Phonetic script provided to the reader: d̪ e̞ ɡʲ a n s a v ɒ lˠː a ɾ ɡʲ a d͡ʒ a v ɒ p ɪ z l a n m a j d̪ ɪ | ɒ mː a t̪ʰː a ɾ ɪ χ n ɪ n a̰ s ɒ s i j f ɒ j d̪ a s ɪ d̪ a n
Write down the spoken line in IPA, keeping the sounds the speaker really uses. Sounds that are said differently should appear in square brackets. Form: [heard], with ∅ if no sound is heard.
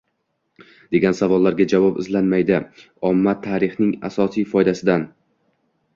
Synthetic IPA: d̪ e̞ ɡʲ a n s a v ɒ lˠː a ɾ ɡʲ a d͡ʒ a v ɒ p ɪ z l a n m a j d̪ ɪ | ɒ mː a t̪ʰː a ɾ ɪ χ n ɪ [ŋ] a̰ s ɒ s i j f ɒ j d̪ a s ɪ d̪ a n